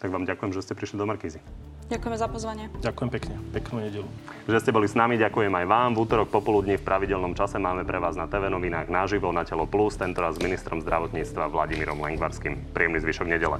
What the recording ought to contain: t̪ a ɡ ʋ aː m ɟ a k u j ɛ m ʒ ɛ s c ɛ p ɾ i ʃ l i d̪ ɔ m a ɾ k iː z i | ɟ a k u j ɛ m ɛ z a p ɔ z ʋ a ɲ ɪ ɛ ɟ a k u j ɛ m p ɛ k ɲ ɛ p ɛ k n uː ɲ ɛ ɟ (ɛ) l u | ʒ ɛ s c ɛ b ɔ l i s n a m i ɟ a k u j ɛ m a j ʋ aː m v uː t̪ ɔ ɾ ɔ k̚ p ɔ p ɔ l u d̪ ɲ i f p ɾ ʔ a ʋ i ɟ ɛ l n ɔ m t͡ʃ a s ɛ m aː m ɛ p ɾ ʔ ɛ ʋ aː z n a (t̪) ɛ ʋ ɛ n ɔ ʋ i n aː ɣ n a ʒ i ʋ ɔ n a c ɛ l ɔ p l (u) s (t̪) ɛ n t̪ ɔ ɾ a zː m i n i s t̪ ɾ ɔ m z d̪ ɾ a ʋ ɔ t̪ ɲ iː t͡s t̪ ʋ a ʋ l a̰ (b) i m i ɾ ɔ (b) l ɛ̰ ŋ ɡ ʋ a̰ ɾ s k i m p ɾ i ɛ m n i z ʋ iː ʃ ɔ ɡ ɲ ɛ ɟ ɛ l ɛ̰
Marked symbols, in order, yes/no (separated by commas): yes, yes, yes, yes, no, no